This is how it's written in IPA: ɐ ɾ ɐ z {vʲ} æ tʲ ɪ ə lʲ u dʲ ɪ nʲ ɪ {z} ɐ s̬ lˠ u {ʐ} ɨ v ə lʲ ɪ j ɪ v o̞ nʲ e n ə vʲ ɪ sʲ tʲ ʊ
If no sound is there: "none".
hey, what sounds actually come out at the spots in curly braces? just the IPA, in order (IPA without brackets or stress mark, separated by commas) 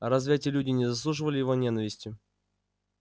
vʲ, z, ʐ